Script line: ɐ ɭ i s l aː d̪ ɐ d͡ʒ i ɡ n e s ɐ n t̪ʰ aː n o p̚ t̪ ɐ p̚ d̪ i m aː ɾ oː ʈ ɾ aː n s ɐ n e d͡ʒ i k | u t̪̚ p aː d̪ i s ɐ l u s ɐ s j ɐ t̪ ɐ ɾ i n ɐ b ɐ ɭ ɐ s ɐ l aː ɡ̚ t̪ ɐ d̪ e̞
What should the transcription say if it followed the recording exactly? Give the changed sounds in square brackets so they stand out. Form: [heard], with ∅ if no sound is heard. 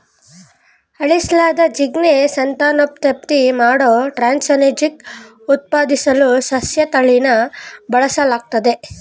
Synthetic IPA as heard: ɐ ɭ i s l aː d̪ ɐ d͡ʒ i ɡ n e s ɐ n [t̪] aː n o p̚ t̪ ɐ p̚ [t̪] i m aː [ɽ] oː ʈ ɾ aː n s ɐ n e d͡ʒ i k | u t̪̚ p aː d̪ i s ɐ l u s ɐ s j ɐ t̪ ɐ [ɭ] i n ɐ b ɐ ɭ ɐ s ɐ l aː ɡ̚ t̪ ɐ d̪ e̞